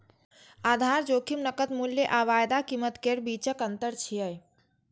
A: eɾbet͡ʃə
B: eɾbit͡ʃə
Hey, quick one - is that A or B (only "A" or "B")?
B